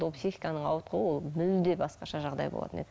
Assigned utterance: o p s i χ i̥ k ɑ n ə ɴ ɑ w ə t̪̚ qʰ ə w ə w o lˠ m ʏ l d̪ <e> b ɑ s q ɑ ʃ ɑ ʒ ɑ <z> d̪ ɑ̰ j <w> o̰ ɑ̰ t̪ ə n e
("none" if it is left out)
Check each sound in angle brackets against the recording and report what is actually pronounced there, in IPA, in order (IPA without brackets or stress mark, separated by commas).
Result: e, ʁ, b